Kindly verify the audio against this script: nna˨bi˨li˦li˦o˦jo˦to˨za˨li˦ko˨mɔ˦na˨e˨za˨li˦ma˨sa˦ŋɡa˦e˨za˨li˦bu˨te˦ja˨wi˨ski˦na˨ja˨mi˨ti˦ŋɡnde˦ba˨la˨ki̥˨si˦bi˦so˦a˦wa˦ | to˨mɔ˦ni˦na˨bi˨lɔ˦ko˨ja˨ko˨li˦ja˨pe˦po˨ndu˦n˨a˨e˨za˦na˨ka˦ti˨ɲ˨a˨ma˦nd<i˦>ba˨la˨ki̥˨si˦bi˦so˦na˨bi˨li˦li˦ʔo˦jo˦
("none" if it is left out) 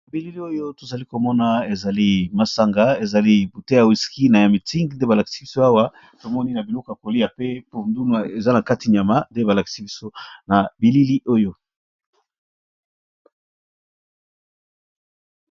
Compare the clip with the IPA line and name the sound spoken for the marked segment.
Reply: e˦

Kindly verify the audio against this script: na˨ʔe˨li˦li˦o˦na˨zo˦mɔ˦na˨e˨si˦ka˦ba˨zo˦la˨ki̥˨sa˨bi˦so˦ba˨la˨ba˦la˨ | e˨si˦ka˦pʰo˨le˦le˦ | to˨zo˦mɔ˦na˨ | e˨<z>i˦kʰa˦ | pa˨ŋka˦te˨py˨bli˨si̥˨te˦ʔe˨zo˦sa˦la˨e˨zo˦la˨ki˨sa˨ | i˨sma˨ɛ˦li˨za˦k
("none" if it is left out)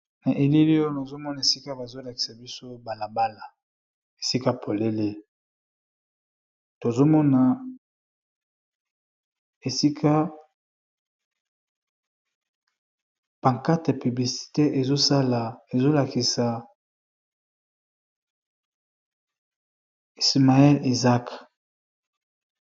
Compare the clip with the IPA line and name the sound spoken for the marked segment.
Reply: s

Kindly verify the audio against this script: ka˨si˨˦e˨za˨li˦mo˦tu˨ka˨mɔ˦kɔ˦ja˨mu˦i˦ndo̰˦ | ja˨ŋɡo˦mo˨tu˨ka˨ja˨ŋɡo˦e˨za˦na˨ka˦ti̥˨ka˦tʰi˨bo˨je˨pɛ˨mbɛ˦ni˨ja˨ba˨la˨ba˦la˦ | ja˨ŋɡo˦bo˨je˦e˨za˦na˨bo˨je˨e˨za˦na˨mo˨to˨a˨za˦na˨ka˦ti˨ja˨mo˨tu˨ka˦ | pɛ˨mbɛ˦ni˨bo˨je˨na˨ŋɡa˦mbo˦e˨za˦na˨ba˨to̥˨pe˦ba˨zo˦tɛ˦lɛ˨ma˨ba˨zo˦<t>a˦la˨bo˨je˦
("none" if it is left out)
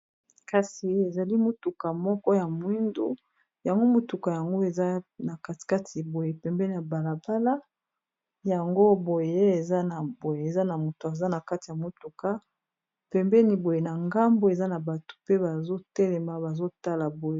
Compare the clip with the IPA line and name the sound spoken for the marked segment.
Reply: t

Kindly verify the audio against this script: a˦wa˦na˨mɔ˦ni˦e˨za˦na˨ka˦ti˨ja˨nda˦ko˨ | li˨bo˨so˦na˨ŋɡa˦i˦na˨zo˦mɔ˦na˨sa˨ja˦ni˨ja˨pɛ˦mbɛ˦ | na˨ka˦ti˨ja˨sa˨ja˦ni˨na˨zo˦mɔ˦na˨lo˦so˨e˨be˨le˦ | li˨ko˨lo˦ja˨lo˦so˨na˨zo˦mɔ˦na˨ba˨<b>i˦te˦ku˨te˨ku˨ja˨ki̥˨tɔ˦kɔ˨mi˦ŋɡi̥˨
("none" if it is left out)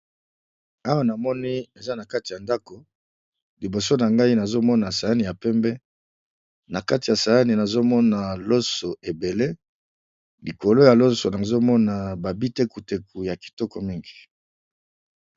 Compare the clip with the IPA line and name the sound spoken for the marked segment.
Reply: b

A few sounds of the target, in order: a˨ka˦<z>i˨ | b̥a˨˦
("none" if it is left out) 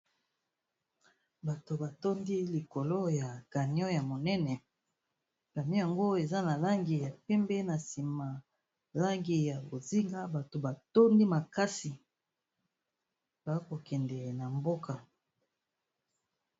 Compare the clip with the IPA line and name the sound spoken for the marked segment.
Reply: s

